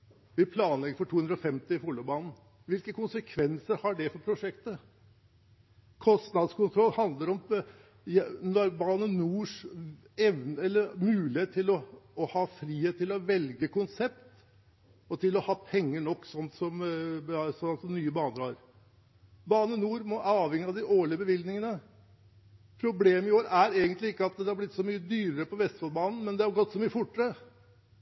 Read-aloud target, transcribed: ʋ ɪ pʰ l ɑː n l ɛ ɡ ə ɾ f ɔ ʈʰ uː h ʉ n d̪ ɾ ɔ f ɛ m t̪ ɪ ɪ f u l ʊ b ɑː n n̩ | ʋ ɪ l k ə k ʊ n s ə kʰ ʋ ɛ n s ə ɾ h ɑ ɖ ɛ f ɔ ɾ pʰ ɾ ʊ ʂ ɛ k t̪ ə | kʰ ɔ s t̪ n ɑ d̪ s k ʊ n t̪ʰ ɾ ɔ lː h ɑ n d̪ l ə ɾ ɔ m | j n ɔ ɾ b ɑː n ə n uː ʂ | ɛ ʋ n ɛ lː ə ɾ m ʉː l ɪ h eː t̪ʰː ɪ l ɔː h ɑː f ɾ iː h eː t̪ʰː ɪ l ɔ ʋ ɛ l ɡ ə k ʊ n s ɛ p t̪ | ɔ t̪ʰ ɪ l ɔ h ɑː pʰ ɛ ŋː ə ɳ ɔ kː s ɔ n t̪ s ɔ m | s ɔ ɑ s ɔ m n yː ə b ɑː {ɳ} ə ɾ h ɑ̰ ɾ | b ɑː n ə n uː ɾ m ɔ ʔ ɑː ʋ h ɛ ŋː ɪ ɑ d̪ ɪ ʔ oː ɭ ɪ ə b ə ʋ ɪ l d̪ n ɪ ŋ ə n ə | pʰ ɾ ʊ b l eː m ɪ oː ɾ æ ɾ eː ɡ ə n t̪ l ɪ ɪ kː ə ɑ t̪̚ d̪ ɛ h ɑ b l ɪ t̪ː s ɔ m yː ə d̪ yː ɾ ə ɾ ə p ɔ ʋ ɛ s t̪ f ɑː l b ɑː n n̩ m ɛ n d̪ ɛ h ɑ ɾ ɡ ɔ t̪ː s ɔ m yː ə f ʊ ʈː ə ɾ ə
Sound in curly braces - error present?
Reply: yes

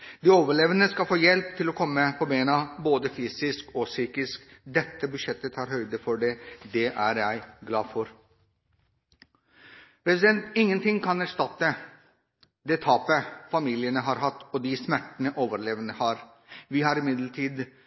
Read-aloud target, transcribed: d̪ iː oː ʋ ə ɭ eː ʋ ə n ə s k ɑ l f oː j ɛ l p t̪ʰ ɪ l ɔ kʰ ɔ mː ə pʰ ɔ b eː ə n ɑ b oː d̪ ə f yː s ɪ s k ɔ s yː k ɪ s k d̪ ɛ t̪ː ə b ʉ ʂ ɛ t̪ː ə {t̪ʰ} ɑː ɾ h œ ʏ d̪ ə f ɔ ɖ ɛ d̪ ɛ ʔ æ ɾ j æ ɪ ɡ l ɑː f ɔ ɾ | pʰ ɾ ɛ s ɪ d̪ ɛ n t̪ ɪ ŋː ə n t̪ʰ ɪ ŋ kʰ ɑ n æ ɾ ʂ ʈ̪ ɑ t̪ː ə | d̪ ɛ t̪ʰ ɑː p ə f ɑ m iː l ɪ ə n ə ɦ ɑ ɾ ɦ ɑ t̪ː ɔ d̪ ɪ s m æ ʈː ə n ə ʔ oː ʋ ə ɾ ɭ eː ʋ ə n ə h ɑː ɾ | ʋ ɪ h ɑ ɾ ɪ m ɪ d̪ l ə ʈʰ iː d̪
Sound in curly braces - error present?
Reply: no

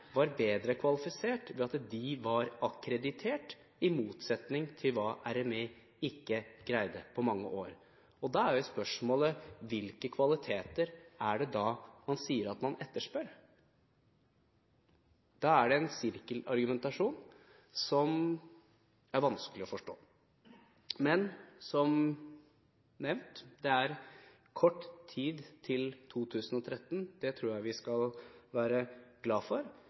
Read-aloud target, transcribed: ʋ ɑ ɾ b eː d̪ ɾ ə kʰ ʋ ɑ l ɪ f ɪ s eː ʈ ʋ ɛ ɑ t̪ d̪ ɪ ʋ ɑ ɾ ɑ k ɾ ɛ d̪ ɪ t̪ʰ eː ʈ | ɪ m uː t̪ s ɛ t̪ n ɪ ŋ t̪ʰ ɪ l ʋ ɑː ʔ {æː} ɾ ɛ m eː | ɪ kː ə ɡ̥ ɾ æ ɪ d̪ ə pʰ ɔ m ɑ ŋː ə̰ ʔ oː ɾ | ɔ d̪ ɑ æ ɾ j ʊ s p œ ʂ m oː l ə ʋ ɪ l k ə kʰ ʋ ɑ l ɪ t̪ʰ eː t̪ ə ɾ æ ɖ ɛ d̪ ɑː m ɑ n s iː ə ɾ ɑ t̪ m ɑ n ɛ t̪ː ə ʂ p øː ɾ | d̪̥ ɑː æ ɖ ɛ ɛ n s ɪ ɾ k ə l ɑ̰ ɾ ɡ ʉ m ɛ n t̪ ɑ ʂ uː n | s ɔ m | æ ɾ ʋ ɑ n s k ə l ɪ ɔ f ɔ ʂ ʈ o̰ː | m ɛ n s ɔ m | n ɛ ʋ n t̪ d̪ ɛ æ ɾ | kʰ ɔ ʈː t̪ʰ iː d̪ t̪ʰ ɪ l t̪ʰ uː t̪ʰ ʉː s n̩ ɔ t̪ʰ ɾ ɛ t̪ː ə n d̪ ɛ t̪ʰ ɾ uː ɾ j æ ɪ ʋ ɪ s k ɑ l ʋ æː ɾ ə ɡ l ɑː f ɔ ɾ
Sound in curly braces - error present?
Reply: yes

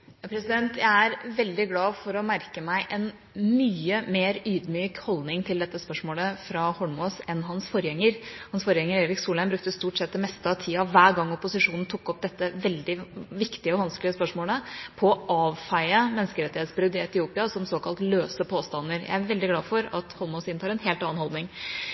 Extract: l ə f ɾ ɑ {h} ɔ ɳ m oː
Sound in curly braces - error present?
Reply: no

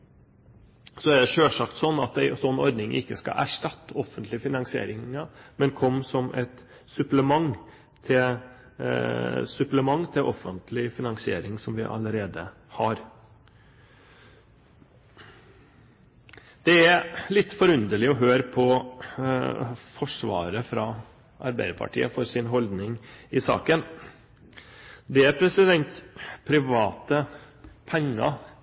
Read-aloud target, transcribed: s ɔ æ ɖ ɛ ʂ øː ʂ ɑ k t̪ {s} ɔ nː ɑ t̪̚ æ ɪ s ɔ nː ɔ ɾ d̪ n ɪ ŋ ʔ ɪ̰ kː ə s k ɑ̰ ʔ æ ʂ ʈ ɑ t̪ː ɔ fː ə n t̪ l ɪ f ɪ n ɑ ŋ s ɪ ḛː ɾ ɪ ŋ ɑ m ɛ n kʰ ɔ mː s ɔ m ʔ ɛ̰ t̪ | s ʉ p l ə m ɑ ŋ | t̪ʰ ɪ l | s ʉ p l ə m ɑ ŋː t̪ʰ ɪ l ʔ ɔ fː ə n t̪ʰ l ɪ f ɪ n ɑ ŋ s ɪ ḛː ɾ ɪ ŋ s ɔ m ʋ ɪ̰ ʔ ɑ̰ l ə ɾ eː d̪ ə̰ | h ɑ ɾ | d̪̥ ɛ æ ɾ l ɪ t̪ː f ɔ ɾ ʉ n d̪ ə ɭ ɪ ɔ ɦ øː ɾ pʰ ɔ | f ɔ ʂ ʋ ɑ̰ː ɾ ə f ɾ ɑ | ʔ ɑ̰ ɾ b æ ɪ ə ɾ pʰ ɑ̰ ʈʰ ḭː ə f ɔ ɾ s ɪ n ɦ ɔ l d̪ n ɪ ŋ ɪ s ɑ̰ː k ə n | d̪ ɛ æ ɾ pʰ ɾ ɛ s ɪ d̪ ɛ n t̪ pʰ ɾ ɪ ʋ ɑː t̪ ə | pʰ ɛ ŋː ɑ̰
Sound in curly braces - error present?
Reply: no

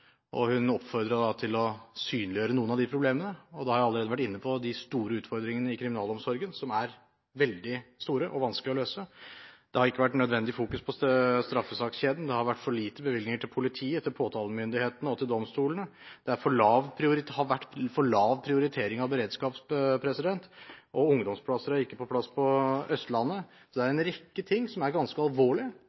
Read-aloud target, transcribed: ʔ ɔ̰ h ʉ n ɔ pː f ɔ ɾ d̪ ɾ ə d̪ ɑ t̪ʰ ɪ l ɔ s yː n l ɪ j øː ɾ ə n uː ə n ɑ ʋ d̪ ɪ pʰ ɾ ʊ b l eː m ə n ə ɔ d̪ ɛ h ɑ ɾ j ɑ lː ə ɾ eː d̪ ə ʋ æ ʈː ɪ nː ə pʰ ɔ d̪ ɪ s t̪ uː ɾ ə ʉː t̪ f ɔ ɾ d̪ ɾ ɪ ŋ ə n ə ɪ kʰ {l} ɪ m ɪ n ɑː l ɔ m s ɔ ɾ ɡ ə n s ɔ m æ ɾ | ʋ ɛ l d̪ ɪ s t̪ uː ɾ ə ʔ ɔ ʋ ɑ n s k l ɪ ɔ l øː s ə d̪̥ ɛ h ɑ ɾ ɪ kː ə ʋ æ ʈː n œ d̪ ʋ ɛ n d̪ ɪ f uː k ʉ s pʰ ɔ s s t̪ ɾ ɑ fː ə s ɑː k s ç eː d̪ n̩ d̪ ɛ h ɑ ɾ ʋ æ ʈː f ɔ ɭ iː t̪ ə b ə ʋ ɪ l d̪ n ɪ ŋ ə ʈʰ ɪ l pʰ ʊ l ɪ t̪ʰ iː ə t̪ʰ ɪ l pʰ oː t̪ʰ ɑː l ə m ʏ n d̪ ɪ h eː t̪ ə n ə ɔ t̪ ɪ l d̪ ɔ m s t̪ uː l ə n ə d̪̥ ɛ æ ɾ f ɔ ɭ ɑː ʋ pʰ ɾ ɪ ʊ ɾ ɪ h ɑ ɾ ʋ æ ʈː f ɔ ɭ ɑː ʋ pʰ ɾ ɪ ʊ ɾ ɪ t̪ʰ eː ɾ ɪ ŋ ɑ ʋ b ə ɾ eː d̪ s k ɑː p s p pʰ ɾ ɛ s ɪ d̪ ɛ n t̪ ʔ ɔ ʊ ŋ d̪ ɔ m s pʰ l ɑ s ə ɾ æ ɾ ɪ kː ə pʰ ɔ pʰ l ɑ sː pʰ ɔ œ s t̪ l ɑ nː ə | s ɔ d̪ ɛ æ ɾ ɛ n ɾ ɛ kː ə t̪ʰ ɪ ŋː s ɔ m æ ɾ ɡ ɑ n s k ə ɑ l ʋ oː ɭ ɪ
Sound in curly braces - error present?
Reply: yes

